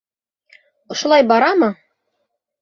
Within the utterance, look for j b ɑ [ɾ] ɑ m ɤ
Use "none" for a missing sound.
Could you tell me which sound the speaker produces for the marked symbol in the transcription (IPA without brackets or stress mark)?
ɾ